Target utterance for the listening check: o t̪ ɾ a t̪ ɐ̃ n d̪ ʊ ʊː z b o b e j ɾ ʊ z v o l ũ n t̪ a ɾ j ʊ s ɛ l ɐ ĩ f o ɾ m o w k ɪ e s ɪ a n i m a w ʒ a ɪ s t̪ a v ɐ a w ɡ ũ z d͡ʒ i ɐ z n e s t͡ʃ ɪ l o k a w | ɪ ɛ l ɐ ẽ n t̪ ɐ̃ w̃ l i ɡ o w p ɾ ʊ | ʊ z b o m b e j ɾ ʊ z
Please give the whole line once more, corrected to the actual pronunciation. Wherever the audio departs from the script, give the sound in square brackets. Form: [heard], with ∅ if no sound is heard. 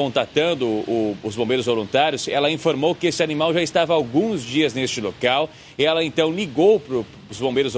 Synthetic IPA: [õ] t̪ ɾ a t̪ ɐ̃ n d̪ ʊ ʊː z b [õ] b e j ɾ ʊ z v o l ũ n t̪ a ɾ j ʊ s ɛ l ɐ ĩ f o ɾ m o w k ɪ e s ɪ a n i m a w ʒ a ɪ s t̪ a v ɐ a w ɡ ũ z d͡ʒ i ɐ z n e s t͡ʃ ɪ l o k a w | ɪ ɛ l ɐ ẽ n t̪ ɐ̃ w̃ l i ɡ o w p ɾ ʊ | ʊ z b [õ] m b e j ɾ ʊ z